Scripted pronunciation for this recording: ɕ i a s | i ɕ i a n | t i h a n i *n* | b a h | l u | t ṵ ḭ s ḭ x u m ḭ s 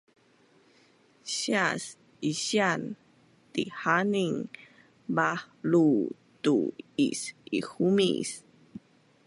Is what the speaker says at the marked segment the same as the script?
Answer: no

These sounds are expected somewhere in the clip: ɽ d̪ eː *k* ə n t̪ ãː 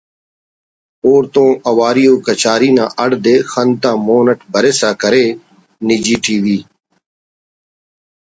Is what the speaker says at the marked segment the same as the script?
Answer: no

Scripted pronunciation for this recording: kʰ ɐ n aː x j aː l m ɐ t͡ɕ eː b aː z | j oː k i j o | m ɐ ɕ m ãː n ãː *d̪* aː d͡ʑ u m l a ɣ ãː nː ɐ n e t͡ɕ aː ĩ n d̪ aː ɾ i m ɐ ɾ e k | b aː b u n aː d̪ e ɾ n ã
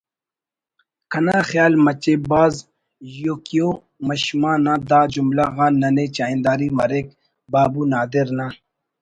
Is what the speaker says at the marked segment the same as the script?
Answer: yes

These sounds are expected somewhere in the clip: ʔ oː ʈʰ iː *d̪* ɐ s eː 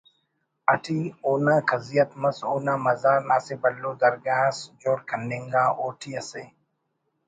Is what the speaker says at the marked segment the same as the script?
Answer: no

